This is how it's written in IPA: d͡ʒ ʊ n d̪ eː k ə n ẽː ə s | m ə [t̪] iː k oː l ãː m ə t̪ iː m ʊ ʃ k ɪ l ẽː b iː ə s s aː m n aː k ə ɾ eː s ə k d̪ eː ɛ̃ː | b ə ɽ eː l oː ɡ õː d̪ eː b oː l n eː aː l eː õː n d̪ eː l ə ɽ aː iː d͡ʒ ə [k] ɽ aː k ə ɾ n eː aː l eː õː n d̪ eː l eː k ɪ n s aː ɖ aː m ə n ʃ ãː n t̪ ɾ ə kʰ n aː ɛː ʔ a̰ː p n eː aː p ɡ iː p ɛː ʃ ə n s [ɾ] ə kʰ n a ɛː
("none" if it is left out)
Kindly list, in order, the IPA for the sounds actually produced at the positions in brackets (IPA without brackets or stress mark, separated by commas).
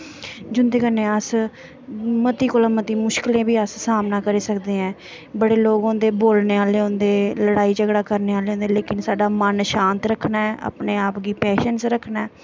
t̪, ɡ, ɾ